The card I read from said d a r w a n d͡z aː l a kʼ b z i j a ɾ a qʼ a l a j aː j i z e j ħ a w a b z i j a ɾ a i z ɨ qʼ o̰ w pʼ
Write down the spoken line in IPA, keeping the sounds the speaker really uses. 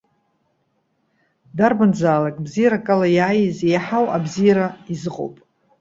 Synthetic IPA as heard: d a r b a n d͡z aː l a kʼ b z i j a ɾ a kʼ a l a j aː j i z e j ħ a w a b z i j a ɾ a i z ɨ qʼ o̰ w pʼ